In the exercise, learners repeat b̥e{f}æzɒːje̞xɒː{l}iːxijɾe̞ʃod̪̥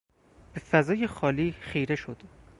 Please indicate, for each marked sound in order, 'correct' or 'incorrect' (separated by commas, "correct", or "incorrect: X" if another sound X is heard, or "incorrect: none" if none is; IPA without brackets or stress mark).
correct, correct